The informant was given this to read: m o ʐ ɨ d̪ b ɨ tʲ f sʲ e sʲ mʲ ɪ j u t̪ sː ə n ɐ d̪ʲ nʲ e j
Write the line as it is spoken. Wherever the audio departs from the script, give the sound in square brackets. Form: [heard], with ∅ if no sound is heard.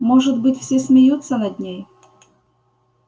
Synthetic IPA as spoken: m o ʐ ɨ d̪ b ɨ tʲ f sʲ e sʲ mʲ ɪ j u t̪ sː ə n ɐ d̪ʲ nʲ e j